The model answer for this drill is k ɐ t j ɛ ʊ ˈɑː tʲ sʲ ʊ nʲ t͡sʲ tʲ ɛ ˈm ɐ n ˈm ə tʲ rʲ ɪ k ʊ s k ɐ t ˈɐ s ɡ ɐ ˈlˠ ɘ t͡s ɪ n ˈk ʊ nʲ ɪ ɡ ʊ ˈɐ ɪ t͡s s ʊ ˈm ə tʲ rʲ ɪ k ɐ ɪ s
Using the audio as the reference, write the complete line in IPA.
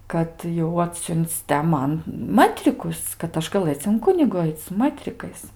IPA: k ɐ t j ɛ ʊ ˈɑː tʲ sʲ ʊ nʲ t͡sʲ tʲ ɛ ˈm ɐ n ˈm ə tʲ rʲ ɪ k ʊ s k ɐ t ˈɐ ʃ ɡ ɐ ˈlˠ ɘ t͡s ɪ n ˈk ʊ nʲ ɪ ɡ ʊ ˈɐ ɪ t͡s s ʊ ˈm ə tʲ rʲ ɪ k ɐ ɪ s